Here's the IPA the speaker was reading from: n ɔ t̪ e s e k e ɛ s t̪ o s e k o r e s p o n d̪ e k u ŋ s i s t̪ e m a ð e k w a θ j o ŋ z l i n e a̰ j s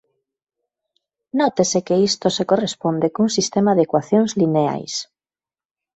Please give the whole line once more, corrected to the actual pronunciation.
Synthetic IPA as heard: n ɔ t̪ e s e k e i s t̪ o s e k o r e s p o n d̪ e k u ŋ s i s t̪ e m a ð e k w a θ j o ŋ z l i n e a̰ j s